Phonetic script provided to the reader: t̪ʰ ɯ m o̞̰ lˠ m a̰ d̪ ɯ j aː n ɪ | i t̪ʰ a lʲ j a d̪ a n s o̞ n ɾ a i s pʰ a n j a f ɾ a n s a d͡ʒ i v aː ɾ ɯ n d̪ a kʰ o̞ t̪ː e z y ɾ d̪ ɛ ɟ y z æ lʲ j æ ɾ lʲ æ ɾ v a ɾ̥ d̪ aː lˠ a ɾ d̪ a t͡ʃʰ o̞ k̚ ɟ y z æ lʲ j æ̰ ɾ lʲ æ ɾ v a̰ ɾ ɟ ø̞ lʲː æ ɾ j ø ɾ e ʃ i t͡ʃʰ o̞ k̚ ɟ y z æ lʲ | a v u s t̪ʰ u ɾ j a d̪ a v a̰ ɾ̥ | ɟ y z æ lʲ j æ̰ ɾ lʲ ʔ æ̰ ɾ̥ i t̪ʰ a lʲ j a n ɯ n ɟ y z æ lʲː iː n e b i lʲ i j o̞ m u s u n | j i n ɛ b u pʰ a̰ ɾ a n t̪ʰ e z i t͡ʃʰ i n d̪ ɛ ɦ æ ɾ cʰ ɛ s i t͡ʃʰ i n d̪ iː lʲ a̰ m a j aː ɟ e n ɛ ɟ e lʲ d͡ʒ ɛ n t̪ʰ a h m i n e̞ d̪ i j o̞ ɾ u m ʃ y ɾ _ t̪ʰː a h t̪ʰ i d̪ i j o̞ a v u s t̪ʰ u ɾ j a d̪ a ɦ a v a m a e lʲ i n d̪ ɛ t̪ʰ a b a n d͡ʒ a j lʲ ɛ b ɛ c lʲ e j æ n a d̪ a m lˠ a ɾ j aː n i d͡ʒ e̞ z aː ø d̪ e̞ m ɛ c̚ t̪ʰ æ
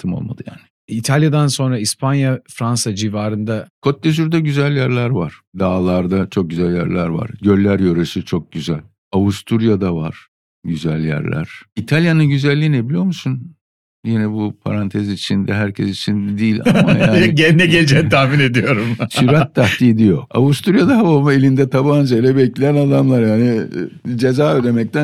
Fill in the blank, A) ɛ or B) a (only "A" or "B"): B